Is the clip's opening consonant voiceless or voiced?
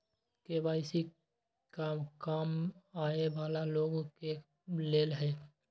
voiceless